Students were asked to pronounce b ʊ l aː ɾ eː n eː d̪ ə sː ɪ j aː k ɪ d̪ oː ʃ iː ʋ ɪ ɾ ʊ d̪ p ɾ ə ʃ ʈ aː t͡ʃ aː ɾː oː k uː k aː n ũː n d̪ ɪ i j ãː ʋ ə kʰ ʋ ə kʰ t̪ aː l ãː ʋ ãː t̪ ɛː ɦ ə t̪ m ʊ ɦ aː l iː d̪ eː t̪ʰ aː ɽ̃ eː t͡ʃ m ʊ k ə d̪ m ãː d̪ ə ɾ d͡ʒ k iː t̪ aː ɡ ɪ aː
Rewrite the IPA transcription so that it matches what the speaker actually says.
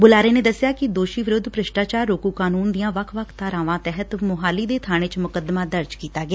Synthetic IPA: b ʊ l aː ɾ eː n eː d̪ ə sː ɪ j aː k ɪ d̪ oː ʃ iː ʋ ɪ ɾ ʊ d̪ p ɾ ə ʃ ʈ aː t͡ʃ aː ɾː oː k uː k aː n uː n d̪ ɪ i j ãː ʋ ə kʰ ʋ ə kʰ t̪ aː ɾ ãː ʋ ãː t̪ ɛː ɦ ə t̪ m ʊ ɦ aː l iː d̪ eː t̪ʰ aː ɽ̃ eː t͡ʃ m ʊ k ə d̪ m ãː d̪ ə ɾ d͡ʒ k iː t̪ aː ɡ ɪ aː